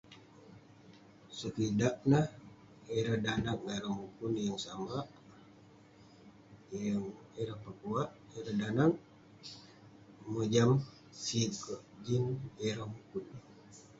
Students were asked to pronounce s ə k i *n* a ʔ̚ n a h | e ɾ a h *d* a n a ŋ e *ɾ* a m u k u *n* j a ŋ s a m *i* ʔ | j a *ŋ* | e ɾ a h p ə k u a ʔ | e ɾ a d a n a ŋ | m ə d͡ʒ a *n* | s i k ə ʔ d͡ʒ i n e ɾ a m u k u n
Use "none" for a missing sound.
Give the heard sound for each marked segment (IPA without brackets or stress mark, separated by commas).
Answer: d, d, ɾ, n, a, ŋ, m